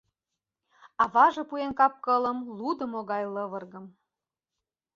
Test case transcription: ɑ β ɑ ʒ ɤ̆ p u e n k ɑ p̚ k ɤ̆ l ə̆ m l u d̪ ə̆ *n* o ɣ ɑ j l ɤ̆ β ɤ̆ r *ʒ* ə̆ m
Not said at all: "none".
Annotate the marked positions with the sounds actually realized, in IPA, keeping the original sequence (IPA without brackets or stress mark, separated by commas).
m, ɣ